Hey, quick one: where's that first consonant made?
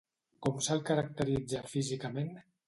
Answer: velum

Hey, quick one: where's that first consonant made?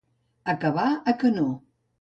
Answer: velum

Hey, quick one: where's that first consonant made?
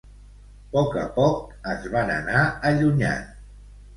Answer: lips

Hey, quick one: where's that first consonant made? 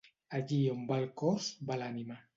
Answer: palate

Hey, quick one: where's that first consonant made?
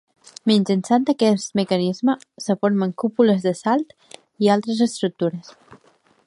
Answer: lips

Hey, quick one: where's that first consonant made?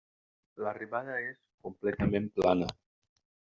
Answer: tongue tip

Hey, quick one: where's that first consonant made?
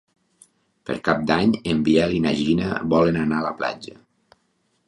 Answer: lips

